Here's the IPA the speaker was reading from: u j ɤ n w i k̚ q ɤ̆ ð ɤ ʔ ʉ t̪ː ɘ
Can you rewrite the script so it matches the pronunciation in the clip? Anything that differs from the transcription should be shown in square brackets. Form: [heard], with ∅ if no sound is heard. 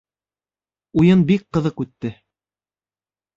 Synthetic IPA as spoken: u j ɤ n [b] i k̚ q ɤ̆ ð ɤ [q] ʉ t̪ː ɘ